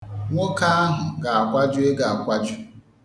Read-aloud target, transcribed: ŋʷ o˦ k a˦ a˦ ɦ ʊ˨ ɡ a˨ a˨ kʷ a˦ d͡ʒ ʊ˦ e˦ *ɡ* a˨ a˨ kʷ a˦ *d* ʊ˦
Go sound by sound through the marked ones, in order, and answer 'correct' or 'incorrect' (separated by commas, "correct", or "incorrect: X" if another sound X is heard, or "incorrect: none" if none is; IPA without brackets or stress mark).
correct, incorrect: d͡ʒ